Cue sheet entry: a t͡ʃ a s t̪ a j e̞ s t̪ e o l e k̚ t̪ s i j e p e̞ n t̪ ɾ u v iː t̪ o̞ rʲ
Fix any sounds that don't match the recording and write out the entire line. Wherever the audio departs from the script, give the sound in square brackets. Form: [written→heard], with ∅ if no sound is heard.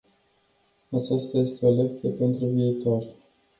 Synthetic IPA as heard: a t͡ʃ a s t̪ a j e̞ s t̪ e o l e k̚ t̪ s i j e p e̞ n t̪ ɾ u v iː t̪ o̞ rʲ